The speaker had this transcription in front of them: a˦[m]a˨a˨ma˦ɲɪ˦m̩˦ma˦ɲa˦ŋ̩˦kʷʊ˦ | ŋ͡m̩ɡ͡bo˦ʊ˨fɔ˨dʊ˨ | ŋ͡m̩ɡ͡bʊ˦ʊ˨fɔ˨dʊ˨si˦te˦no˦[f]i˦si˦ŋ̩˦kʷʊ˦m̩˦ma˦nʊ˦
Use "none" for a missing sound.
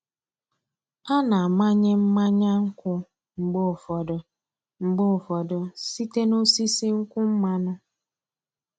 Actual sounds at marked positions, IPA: n, s

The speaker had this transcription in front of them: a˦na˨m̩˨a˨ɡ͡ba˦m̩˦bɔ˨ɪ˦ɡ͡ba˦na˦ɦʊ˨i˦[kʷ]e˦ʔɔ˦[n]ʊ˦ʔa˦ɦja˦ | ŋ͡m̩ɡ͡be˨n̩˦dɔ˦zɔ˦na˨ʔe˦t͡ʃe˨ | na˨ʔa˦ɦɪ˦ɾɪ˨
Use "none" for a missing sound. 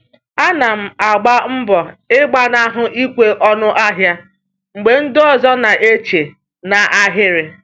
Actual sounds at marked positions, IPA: kʷ, n

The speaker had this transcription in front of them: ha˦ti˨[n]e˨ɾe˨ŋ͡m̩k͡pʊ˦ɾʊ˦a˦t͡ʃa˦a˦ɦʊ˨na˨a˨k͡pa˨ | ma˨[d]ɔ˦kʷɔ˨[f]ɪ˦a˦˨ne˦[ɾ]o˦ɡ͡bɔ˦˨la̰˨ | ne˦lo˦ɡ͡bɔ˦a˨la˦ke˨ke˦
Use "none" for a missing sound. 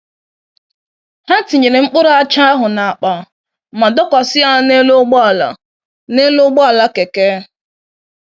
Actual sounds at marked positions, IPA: ɲ, d, s, l

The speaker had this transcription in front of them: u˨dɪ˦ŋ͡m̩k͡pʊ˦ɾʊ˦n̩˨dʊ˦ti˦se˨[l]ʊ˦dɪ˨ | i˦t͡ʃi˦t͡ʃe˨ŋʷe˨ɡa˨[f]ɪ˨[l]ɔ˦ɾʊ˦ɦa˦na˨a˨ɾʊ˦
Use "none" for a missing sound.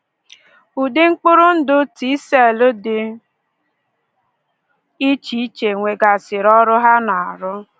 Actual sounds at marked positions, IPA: l, s, ɾ

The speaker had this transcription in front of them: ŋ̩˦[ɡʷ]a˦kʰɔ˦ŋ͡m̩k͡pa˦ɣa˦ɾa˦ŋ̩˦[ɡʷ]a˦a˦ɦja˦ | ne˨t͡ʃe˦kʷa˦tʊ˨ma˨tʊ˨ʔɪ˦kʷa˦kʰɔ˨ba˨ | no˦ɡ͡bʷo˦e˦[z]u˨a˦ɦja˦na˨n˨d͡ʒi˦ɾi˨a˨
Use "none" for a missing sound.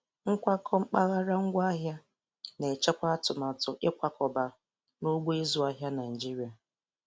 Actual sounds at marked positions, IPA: kʷ, ɡʷ, z

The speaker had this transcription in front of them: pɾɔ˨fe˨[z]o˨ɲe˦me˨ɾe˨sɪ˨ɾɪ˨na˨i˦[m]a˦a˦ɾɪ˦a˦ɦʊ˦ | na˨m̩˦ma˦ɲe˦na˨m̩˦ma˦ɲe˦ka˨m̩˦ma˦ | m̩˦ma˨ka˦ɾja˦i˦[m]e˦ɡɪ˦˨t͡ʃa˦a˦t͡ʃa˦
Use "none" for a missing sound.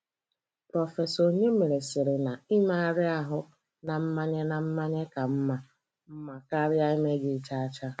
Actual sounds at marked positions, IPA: s, m, m

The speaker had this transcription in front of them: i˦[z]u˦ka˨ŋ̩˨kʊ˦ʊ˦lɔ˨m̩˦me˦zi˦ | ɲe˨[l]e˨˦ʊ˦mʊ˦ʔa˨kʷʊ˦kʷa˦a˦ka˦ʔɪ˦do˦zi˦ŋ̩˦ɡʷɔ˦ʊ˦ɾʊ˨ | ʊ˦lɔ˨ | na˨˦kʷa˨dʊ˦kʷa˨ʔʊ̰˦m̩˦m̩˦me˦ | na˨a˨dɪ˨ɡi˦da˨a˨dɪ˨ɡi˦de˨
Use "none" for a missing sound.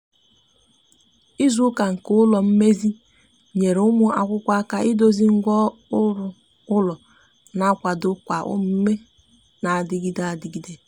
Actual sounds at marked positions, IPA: z, ɾ

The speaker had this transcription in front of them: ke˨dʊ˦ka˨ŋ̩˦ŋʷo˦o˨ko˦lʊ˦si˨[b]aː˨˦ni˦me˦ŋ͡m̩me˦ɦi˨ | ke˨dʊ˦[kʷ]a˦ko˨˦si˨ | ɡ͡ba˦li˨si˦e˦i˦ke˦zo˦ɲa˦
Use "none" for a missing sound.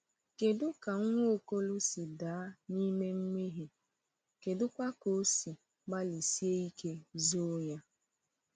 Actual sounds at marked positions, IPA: d, kʷ

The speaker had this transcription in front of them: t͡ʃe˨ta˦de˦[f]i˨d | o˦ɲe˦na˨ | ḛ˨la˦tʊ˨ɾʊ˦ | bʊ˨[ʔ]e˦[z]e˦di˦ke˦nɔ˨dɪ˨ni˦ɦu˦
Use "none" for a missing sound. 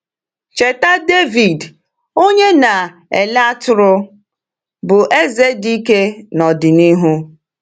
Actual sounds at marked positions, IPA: v, ʔ, z

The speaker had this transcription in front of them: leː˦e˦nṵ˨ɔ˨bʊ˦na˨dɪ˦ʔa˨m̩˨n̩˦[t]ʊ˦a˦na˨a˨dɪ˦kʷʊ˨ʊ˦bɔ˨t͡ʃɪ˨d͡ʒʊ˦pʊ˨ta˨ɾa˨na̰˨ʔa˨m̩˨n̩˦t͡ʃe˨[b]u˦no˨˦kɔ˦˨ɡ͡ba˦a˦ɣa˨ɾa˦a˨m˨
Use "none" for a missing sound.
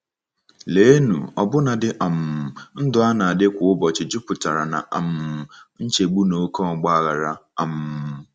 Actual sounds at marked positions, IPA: d, ɡ͡b

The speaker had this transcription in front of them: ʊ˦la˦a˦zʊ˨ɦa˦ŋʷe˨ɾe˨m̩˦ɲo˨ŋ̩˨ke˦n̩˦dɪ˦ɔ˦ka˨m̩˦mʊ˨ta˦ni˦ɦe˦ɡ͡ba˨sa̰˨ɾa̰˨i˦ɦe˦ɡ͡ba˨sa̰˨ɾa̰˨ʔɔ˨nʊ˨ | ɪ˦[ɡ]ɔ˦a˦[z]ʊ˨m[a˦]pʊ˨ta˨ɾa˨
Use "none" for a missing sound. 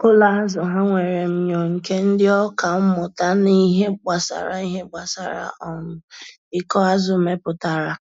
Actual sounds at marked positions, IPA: k, z, e˦

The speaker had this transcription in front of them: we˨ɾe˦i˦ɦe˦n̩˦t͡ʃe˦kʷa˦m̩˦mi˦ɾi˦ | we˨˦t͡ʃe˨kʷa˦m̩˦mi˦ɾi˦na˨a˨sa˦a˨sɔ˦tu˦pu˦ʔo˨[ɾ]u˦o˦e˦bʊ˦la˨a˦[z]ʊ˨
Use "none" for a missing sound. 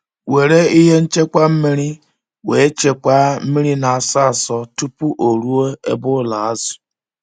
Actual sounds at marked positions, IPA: ɾ, z

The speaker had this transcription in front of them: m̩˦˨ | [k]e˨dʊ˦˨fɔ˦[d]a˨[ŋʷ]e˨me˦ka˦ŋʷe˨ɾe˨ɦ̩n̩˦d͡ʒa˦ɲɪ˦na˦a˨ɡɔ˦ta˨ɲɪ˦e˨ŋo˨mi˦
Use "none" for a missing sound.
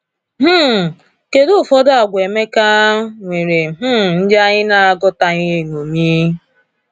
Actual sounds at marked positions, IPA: k, d, ɡʷ

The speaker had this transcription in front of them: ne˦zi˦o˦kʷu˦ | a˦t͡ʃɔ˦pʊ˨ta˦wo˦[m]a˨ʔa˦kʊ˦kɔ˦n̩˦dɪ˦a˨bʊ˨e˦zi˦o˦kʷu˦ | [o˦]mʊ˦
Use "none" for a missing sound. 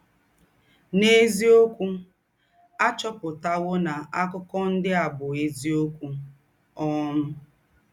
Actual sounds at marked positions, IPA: n, ɔ˦

